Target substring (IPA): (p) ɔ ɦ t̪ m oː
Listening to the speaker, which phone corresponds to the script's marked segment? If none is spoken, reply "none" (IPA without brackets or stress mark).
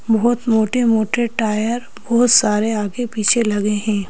b